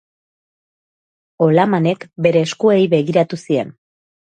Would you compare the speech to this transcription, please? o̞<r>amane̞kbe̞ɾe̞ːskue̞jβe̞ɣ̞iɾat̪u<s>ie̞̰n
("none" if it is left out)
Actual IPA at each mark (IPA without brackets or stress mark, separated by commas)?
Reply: l, s